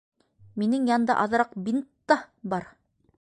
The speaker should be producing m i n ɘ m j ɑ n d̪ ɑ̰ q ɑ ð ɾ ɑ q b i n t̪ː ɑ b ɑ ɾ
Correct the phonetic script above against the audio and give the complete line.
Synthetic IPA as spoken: m i n ɘ ŋ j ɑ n d̪ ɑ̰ ʔ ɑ ð ɾ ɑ q b i n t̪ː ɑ b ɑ ɾ